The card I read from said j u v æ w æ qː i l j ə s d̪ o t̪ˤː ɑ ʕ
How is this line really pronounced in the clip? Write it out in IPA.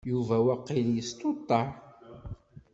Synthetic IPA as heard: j u v æ w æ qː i l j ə s t̪ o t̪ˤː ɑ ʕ